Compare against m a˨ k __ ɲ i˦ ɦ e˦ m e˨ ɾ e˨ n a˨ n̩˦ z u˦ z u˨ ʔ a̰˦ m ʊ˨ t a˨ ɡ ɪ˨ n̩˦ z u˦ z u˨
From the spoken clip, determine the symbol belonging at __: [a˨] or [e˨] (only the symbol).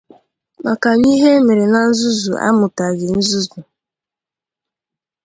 a˨